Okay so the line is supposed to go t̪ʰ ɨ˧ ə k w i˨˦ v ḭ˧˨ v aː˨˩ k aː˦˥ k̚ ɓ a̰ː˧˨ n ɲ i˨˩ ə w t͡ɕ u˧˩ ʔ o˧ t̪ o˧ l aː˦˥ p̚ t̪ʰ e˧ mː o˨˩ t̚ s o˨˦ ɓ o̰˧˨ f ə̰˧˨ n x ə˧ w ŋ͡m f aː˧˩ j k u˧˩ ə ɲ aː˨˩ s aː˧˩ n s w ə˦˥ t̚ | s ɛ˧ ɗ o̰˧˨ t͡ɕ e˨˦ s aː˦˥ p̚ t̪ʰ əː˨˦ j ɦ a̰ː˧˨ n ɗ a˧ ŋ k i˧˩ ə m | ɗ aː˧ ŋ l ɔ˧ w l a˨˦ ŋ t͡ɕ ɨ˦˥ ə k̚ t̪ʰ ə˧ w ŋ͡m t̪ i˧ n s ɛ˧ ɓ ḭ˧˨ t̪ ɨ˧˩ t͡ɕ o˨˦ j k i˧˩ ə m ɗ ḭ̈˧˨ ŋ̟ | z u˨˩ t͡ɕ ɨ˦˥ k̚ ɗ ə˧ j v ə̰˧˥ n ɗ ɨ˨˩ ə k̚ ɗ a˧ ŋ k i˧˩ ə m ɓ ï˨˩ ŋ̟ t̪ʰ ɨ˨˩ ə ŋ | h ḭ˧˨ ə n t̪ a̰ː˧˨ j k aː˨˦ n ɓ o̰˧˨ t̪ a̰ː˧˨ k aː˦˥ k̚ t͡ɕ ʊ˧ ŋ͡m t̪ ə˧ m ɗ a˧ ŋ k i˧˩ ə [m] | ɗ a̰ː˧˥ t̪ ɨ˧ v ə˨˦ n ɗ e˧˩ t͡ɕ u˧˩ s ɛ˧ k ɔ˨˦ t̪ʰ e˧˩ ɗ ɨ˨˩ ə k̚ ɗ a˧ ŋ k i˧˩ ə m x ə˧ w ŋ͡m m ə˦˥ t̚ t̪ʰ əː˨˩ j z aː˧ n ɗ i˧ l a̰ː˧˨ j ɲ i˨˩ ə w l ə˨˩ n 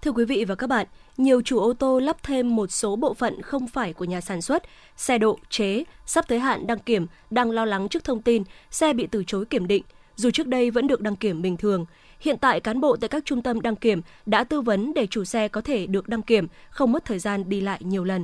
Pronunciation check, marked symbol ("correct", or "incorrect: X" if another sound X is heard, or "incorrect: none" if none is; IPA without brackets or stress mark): correct